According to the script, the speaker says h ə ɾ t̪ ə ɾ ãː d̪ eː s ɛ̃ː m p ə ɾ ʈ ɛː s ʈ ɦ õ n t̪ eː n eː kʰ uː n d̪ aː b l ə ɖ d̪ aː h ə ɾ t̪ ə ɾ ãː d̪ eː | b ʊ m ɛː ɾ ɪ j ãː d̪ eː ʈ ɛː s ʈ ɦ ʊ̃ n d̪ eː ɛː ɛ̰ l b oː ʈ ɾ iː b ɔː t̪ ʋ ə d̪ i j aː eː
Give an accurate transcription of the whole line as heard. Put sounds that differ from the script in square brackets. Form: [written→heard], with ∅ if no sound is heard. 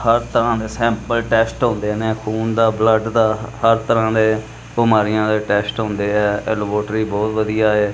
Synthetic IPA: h ə ɾ t̪ ə ɾ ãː d̪ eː s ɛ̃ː m p ə [ɾ→l] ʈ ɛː s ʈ ɦ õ n [t̪→d̪] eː n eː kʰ uː n d̪ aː b l ə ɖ d̪ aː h ə ɾ t̪ ə ɾ ãː d̪ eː | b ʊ m [ɛː→aː] ɾ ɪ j ãː d̪ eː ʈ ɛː s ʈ ɦ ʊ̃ n d̪ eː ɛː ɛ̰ l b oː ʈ ɾ iː b ɔː t̪ ʋ ə d̪ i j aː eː